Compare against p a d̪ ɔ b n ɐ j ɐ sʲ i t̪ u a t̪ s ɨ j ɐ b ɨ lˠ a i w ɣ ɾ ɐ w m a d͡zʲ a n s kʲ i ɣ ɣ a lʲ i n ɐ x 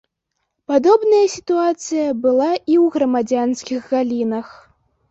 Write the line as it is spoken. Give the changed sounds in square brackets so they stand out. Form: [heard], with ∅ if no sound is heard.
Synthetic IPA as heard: p a d̪ ɔ b n ɐ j ɐ sʲ i t̪ u a t̪ s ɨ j ɐ b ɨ lˠ a i w ɣ ɾ ɐ [∅] m a d͡zʲ a n s kʲ i ɣ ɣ a lʲ i n ɐ x